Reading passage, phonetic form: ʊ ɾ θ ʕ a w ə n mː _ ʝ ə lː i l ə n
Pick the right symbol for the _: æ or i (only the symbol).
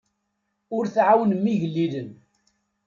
i